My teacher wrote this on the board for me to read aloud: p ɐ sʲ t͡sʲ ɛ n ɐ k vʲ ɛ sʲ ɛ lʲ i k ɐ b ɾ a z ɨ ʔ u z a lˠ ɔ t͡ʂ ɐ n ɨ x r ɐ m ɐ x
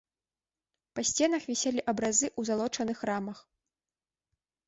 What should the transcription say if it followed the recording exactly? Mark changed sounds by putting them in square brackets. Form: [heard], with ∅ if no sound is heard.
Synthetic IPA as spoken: p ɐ sʲ t͡sʲ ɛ n ɐ [x] vʲ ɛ sʲ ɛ lʲ i [ʔ] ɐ b ɾ a z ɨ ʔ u z a lˠ ɔ t͡ʂ ɐ n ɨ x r [a] m ɐ x